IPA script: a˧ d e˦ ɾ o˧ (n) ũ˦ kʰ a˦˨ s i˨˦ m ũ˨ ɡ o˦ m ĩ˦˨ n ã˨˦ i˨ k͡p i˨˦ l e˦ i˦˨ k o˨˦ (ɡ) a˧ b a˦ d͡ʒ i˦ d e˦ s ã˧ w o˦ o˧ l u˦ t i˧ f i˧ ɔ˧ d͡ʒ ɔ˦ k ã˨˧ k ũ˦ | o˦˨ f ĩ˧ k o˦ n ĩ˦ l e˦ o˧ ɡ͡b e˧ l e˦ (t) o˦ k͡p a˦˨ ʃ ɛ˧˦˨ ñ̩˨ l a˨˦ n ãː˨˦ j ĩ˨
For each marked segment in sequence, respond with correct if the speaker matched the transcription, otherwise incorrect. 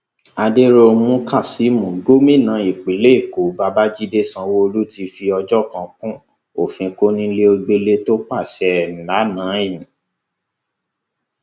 incorrect: m, incorrect: b, correct

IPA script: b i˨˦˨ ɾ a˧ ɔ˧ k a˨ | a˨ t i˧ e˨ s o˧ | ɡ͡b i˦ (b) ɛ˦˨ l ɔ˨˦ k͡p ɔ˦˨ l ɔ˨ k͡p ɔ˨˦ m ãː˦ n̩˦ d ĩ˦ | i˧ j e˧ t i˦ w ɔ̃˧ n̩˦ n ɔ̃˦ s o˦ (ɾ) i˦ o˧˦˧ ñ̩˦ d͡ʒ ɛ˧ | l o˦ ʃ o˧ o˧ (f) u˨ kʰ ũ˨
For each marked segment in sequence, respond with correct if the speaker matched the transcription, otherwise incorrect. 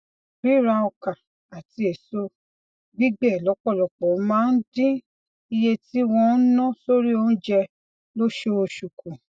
incorrect: ɡ͡b, correct, incorrect: ʃ

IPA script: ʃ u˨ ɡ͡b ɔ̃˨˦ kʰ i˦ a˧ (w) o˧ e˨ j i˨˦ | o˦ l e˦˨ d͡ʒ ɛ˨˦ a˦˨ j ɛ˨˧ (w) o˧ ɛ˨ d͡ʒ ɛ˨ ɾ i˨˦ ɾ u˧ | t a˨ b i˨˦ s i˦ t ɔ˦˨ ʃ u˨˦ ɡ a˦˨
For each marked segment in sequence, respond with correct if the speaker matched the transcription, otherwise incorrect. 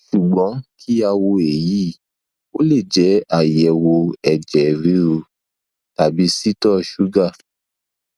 correct, correct

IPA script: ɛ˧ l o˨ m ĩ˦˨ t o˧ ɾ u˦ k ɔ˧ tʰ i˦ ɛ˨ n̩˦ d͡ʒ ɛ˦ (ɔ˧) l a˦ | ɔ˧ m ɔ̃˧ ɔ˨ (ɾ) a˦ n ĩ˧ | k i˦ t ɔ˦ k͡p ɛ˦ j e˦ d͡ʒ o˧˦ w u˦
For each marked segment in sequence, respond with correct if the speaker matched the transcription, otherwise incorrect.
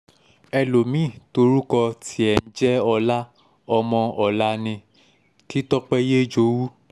correct, incorrect: l

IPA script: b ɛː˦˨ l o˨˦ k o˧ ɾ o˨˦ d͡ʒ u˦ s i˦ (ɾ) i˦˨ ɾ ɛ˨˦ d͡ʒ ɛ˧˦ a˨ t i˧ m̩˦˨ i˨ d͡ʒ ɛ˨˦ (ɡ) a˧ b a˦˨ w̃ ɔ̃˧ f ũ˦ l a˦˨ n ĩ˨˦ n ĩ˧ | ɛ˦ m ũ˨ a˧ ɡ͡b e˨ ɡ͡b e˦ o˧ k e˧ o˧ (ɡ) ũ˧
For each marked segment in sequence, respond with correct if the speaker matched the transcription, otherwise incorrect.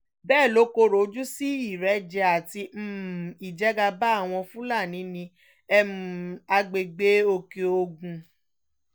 incorrect: none, correct, correct

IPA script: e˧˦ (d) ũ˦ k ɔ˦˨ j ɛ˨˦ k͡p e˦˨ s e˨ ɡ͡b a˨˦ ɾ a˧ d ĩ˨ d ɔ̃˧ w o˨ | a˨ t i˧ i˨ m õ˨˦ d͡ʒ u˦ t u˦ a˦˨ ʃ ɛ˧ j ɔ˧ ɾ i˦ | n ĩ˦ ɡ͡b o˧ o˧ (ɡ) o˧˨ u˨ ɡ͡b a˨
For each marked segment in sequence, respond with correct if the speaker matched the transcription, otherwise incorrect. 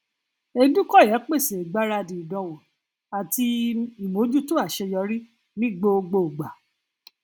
correct, incorrect: ɡ͡b

